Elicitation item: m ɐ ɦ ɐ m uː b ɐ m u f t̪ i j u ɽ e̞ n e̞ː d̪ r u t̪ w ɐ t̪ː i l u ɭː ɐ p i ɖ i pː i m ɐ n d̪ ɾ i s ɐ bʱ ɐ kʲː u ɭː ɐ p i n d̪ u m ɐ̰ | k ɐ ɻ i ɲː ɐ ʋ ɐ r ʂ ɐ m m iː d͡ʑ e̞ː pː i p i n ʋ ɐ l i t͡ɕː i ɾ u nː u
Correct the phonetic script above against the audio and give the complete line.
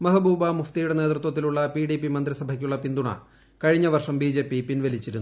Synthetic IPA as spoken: m ɐ ɦ ɐ b uː b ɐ m u f t̪ i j u ɽ e̞ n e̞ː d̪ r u t̪ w ɐ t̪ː i l u ɭː ɐ p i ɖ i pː i m ɐ n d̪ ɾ i s ɐ bʱ ɐ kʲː u ɭː ɐ p i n d̪ u ɳ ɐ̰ | k ɐ ɻ i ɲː ɐ ʋ ɐ r ʂ ɐ m b iː d͡ʑ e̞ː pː i p i n ʋ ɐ l i t͡ɕː i ɾ u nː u